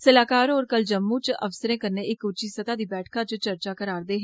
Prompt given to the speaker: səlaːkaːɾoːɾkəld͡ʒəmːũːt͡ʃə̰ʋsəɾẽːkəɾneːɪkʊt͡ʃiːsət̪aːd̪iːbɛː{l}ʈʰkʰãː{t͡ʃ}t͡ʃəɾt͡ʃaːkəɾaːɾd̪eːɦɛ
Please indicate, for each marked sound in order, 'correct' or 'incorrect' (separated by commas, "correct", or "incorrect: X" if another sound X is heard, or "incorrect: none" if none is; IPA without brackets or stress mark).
incorrect: none, correct